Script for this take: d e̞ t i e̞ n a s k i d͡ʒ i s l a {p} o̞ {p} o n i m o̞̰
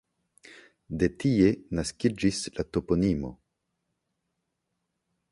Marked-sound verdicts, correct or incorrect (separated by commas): incorrect, correct